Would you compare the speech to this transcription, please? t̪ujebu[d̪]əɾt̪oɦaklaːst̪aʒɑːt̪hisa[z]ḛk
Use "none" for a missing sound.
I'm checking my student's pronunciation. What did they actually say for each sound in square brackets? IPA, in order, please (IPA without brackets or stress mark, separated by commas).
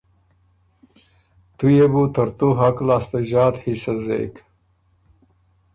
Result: t̪, z